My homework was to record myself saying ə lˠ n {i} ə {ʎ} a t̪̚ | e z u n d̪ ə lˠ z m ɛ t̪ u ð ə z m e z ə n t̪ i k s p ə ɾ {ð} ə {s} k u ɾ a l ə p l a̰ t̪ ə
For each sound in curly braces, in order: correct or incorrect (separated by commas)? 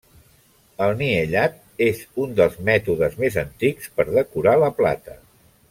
correct, correct, correct, incorrect